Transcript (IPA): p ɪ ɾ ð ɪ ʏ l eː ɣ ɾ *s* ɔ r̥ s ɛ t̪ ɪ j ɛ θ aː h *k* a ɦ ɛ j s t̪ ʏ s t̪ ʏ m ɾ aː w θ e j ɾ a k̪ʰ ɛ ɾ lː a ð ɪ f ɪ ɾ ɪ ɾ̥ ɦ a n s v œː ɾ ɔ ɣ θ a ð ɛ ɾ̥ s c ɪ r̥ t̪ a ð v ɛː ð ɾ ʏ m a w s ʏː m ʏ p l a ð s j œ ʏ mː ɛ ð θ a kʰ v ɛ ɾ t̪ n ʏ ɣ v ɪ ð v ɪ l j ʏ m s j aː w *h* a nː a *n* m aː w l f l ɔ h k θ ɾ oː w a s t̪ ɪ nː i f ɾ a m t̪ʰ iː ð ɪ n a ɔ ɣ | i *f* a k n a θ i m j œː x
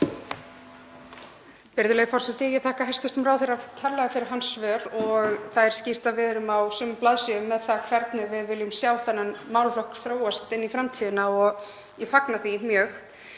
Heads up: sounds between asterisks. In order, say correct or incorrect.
incorrect: f, correct, incorrect: θ, correct, correct

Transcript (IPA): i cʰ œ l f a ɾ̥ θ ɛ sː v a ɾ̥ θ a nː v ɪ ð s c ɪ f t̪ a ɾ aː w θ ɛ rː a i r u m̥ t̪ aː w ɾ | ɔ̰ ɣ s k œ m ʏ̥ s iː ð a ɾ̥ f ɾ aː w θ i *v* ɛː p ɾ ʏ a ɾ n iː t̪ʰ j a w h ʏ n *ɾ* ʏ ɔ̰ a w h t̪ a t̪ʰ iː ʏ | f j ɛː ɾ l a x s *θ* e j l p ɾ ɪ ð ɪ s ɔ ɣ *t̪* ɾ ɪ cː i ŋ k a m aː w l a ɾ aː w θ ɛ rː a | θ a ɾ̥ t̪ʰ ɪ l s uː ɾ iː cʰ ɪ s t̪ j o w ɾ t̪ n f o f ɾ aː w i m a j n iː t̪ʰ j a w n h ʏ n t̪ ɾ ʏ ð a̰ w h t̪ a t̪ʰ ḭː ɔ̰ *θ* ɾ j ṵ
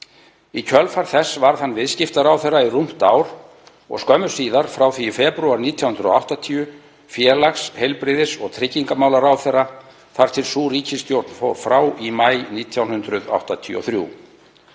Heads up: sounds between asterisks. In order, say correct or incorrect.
incorrect: f, correct, incorrect: h, incorrect: t̪ʰ, correct

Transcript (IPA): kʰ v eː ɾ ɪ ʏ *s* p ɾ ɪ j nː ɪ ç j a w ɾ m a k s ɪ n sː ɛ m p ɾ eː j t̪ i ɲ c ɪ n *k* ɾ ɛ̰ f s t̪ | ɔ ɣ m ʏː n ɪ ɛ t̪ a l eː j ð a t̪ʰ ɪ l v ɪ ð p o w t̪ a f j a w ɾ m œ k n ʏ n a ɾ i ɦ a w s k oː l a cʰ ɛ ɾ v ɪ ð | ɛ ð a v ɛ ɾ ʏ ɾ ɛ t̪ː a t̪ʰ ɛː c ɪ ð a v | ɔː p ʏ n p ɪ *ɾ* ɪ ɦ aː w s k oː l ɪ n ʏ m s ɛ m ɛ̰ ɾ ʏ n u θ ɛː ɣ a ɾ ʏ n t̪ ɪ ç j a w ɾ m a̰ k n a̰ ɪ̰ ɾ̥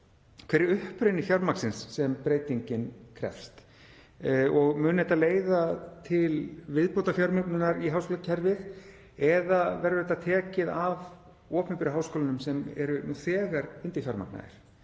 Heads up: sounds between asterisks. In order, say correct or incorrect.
incorrect: h, incorrect: kʰ, correct

